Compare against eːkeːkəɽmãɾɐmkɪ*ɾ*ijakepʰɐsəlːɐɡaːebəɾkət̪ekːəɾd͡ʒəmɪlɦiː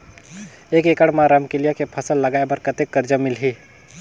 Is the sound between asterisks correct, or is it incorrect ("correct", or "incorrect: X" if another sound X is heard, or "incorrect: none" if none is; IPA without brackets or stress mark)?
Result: incorrect: l